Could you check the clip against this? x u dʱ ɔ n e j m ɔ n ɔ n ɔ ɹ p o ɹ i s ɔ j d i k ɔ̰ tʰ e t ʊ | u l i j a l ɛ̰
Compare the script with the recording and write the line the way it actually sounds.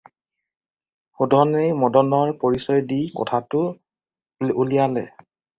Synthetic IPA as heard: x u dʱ ɔ n e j m ɔ d ɔ n ɔ ɹ p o ɹ i s ɔ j d i k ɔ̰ tʰ a t ʊ | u l i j a l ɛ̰

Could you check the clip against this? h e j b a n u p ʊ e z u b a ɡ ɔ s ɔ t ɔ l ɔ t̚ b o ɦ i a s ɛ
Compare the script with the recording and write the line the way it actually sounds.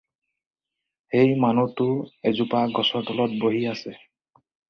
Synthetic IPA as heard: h e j m a n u t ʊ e z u p a ɡ ɔ s ɔ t ɔ l ɔ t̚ b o ɦ i a s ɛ

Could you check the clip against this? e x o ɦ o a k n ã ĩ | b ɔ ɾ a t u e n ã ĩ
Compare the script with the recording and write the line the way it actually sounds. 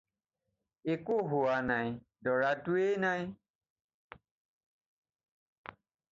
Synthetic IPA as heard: e k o ɦ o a n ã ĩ | d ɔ ɾ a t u e n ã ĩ

